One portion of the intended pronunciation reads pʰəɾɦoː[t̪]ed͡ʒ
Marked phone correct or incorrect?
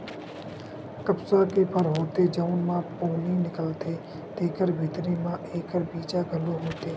correct